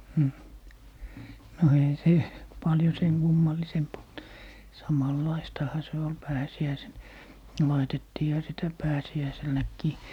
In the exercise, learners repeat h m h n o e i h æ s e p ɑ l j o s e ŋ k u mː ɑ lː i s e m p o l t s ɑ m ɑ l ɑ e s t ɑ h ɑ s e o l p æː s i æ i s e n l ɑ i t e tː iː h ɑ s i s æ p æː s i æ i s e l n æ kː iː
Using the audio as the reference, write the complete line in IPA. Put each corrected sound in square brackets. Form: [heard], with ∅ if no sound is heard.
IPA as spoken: h m h n o e i h æ s e p ɑ l j o s e ŋ k u mː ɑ lː i s e m p o l t s ɑ m ɑ [lː] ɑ [i] s t ɑ h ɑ s e o l p æː s i æ i s e n l ɑ i t e tː iː h ɑ s i [t] æ p æː s i æ i s e l n æ kː iː